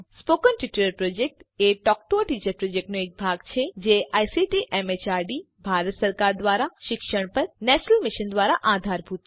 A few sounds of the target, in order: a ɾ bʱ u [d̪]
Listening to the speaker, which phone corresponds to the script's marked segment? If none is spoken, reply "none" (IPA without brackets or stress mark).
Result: t̪